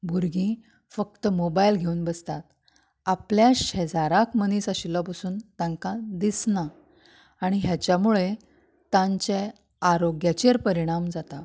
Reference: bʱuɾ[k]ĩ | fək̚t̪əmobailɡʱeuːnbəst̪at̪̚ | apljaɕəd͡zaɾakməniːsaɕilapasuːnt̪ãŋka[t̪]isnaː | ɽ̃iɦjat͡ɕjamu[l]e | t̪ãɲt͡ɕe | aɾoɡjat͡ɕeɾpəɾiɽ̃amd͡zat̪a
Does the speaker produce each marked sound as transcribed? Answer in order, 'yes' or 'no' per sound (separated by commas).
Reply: no, no, no